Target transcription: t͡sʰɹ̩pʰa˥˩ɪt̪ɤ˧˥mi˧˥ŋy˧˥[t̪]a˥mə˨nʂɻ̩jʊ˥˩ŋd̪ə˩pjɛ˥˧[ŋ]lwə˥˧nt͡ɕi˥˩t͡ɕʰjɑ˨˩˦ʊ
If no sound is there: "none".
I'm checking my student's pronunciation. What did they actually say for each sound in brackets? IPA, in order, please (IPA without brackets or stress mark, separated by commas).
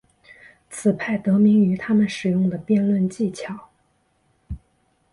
t̪ʰ, n